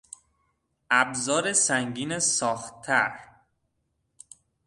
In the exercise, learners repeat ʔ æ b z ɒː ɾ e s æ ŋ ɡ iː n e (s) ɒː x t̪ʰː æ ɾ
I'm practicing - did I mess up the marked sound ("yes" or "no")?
no